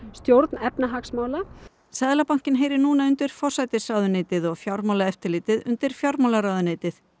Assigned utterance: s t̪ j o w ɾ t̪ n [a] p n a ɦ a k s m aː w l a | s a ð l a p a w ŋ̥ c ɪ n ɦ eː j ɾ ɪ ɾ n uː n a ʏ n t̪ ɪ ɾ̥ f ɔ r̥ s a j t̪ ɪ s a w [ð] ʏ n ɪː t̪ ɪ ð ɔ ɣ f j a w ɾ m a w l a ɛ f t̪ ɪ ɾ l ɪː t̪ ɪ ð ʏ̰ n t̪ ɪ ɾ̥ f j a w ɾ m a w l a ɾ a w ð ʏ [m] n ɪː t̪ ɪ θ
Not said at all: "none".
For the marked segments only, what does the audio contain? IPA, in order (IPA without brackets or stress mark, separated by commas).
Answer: ɛ, ð, none